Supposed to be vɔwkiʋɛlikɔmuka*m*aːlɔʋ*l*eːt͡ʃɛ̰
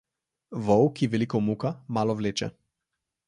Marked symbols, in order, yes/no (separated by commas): yes, yes